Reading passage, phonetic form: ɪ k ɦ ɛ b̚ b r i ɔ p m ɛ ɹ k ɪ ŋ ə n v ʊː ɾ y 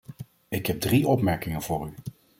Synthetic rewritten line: ɪ k ɦ ɛ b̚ d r i ɔ p m ɛ ɹ k ɪ ŋ ə n v ʊː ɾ y